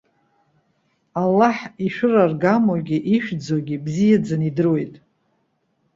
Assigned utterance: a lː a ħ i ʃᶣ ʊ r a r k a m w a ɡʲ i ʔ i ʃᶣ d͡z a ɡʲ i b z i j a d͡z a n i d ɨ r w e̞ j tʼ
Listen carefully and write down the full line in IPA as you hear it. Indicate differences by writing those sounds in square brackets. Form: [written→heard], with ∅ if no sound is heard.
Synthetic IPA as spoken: a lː a ħ i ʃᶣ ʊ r a r [k→ɡ] a m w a ɡʲ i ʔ i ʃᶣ d͡z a ɡʲ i b z i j a d͡z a n i d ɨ r w e̞ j tʼ